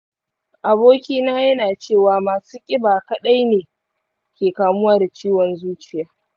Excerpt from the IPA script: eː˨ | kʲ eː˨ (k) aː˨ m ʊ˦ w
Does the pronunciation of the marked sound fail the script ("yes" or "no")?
no